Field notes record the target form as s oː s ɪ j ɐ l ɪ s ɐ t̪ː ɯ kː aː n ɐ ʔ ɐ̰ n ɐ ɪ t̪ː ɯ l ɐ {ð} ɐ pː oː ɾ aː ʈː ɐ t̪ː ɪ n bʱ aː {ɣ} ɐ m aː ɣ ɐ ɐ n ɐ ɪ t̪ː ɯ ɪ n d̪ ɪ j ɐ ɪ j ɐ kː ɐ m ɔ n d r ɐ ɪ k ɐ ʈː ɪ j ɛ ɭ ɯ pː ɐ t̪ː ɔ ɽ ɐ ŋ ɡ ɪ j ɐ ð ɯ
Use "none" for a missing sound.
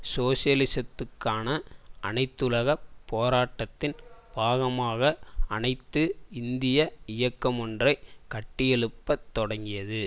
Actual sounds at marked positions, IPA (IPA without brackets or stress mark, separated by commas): ɣ, ɣ